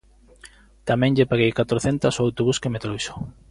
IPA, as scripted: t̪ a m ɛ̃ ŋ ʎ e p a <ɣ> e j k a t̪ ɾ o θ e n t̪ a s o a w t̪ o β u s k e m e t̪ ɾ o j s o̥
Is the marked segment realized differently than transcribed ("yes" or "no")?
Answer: no